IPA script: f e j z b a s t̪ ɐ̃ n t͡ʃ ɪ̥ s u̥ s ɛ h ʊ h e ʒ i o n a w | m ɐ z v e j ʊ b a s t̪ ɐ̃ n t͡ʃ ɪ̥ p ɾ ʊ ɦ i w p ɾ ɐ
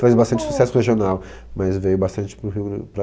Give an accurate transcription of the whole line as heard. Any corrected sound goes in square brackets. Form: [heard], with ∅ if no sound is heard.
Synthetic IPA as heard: f e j z b a s t̪ ɐ̃ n t͡ʃ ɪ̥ s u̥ s ɛ [s] ʊ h e ʒ i o n a w | m ɐ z v e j ʊ b a s t̪ ɐ̃ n t͡ʃ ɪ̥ p ɾ ʊ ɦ i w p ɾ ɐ

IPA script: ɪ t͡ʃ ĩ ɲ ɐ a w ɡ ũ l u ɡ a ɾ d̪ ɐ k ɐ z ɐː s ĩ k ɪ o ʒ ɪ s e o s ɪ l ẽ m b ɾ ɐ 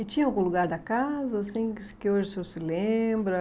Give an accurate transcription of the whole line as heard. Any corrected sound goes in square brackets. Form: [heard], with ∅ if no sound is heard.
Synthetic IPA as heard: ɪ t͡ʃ ĩ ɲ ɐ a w ɡ ũ l u ɡ a ɾ d̪ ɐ k [a] z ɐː s ĩ k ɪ o ʒ ɪ s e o s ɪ l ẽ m b ɾ ɐ

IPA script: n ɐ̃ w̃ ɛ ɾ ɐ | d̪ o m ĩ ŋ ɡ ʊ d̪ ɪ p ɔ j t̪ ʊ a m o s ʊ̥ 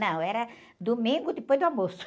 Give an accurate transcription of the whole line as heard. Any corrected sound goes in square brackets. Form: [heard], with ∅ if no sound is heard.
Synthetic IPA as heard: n ɐ̃ w̃ ɛ ɾ ɐ | d̪ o m ĩ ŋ ɡ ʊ d̪ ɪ p [o] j [d̪] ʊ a m o s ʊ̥

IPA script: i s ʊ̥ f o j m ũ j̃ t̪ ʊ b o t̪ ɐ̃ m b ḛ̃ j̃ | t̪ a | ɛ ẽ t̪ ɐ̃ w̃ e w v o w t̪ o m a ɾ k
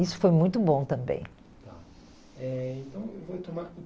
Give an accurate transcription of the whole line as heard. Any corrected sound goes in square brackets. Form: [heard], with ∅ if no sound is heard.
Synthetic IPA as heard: i s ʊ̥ f o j m ũ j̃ t̪ ʊ b [õ] t̪ ɐ̃ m b ḛ̃ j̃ | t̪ a | ɛ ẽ t̪ ɐ̃ w̃ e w v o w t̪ o m a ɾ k

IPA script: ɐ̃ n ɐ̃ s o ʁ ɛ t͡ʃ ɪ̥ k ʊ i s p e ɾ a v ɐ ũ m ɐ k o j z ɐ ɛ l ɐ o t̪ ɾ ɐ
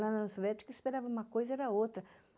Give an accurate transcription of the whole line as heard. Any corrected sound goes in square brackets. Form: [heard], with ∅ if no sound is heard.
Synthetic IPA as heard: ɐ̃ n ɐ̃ s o [v] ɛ t͡ʃ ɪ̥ k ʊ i s p e ɾ a v ɐ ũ m ɐ k o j z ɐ ɛ [ɾ] ɐ o t̪ ɾ ɐ

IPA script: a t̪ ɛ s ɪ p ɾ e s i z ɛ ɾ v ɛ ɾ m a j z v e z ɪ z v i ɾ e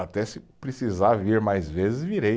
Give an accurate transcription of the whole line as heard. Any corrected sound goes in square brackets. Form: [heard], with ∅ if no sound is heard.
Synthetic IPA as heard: a t̪ ɛ s ɪ p ɾ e s i z [a] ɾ v [i] ɾ m a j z v e z ɪ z v i ɾ e

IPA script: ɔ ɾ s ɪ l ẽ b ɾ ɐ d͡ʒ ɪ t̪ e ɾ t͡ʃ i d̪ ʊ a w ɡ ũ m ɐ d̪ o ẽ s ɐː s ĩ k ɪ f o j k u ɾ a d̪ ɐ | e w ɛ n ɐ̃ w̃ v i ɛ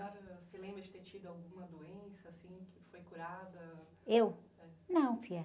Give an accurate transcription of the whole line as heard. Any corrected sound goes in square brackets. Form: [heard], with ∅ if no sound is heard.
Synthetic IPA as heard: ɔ ɾ s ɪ l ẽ b ɾ ɐ d͡ʒ ɪ t̪ e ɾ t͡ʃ i d̪ ʊ a w ɡ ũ m ɐ d̪ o ẽ s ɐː s ĩ k ɪ f o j k u ɾ a d̪ ɐ | e w ɛ n ɐ̃ w̃ [f] i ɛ

